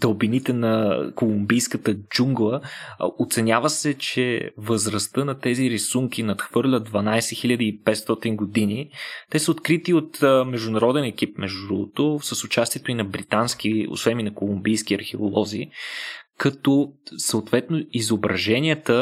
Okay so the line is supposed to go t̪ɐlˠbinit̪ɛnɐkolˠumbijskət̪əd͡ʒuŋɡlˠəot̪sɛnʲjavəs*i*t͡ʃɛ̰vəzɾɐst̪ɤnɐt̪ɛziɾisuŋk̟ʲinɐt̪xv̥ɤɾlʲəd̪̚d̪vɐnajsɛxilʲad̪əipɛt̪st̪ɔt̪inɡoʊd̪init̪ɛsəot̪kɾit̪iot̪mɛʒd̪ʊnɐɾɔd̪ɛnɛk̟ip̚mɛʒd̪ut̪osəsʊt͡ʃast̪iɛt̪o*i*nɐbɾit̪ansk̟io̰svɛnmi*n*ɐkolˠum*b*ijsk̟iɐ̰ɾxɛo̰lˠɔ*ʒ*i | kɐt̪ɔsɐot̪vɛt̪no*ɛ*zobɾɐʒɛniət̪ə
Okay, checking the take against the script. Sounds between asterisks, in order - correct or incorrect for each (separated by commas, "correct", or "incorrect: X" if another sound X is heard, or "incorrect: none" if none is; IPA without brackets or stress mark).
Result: incorrect: ɛ, correct, correct, correct, incorrect: z, incorrect: i